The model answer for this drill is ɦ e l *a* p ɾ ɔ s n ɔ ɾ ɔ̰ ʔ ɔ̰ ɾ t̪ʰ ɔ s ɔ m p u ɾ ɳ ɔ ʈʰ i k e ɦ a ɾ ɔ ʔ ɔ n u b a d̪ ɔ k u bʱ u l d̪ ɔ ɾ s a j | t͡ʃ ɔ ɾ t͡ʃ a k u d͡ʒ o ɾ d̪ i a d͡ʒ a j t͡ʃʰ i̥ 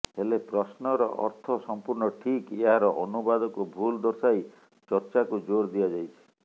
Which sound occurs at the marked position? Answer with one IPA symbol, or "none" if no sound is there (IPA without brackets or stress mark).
e